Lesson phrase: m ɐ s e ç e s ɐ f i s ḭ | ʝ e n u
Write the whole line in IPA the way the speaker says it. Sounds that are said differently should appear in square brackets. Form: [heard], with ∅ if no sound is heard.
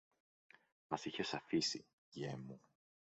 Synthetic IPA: m ɐ s [i] ç e s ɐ f i s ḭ | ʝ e [m] u